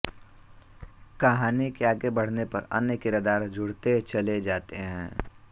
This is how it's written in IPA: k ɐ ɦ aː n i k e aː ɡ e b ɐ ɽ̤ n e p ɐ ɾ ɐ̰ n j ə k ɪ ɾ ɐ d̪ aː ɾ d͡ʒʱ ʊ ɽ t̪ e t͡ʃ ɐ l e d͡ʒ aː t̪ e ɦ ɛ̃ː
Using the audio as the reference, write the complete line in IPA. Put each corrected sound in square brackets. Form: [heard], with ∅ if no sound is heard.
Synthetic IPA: k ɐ ɦ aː n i k e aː ɡ e b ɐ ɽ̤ n e p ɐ ɾ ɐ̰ n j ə k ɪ ɾ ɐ d̪ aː ɾ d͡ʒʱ ʊ ɽ t̪ e t͡ʃ ɐ l e d͡ʒ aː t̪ e ɦ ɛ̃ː